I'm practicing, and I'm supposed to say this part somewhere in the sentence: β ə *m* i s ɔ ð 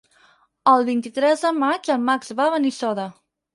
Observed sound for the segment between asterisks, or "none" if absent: n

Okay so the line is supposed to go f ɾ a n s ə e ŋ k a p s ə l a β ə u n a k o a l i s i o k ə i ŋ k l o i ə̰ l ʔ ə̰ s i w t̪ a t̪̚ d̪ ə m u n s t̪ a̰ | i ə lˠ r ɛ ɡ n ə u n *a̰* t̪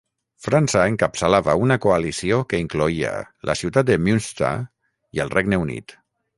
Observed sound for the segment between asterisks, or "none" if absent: ḭ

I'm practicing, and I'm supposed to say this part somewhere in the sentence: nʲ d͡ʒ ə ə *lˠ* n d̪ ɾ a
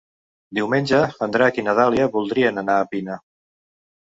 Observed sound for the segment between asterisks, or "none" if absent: none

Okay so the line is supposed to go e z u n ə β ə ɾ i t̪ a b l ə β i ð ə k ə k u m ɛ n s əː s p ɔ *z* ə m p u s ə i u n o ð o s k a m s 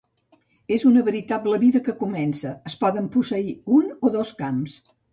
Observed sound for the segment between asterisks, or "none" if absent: ð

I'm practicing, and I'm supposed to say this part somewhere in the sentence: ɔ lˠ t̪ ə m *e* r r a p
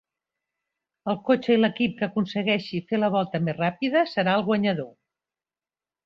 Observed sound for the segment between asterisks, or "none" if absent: e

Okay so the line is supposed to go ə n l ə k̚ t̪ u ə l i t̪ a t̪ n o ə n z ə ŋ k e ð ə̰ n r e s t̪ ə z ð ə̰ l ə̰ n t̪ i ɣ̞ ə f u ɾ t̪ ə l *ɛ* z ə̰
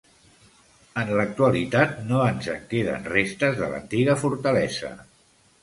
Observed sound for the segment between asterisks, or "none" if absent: ɛ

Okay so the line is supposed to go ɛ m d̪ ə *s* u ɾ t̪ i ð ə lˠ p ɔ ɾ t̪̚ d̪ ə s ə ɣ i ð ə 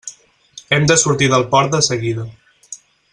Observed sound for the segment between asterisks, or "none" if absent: s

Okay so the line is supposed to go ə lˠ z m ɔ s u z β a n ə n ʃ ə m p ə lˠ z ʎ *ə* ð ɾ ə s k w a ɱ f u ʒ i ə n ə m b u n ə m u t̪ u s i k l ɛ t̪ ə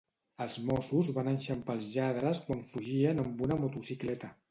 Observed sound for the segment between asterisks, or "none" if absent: a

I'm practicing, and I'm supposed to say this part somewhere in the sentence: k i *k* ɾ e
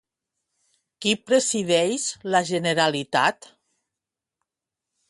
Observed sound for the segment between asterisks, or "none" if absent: p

